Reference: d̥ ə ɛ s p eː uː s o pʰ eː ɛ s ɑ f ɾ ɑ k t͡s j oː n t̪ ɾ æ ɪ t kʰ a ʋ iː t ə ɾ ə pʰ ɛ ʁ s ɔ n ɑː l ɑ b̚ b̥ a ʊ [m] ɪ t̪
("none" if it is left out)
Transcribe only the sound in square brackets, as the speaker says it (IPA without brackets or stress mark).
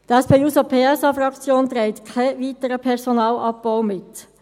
m